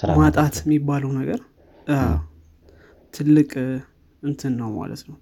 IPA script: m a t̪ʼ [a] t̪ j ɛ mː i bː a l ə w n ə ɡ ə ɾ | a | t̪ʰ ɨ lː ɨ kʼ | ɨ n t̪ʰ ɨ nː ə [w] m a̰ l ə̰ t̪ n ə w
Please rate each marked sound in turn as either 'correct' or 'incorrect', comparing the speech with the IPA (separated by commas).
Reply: correct, correct